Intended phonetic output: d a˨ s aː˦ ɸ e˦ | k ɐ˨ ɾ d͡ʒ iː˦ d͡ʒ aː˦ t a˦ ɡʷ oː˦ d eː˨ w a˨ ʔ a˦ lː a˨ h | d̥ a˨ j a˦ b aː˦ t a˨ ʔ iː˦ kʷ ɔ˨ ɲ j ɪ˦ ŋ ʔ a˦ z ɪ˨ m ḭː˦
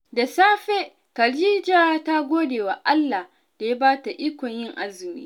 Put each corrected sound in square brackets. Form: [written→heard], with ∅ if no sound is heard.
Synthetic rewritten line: d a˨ s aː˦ ɸ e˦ | k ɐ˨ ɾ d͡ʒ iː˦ d͡ʒ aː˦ t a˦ ɡʷ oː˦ d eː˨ w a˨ ʔ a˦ lː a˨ h | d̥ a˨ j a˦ b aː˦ t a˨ ʔ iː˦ kʷ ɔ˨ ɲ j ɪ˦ ŋ ʔ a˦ z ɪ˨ m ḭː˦